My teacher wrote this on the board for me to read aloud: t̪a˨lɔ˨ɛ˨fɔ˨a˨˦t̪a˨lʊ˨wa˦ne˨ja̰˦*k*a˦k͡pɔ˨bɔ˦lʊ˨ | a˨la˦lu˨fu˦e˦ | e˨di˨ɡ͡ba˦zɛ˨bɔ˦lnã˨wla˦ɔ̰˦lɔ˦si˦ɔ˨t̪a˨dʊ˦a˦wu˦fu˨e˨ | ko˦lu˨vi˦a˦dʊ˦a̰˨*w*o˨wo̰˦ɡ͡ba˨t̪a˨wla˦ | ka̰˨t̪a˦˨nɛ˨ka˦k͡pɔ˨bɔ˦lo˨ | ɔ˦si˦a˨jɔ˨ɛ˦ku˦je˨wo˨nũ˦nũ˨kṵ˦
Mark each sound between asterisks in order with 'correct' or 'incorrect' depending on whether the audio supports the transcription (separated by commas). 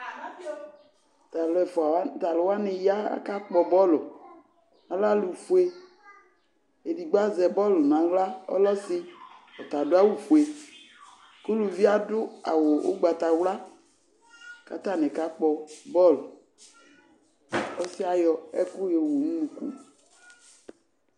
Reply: correct, correct